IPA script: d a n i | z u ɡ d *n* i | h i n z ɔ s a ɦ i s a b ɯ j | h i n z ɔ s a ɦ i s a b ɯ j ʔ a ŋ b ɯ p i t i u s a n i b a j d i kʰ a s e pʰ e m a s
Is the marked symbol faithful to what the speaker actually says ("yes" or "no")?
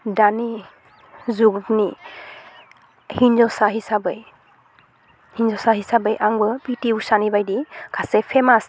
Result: yes